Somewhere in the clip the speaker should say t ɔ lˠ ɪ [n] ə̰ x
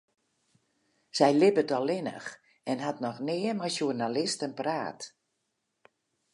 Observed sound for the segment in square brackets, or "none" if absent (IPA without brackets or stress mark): n